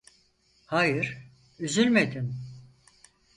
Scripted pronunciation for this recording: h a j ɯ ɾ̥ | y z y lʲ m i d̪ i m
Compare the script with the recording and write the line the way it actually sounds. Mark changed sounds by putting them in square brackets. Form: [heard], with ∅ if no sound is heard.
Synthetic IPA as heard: h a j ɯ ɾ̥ | y z y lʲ m [e] d̪ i [n]